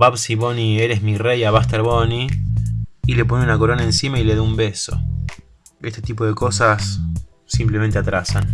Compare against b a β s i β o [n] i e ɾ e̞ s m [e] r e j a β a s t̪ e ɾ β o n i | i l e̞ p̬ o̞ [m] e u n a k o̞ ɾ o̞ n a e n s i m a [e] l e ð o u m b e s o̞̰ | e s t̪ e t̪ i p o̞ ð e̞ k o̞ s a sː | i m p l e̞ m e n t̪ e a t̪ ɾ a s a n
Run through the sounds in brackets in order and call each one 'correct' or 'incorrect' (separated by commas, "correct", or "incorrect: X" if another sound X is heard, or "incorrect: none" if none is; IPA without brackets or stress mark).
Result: correct, incorrect: i, incorrect: n, incorrect: i